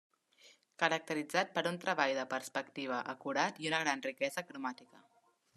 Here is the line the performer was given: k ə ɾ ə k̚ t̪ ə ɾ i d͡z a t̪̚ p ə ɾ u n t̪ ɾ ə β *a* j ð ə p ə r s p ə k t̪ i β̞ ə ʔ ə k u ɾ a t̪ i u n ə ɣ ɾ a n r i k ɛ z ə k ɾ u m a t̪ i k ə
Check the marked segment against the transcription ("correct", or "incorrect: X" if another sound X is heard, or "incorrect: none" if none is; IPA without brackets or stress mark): correct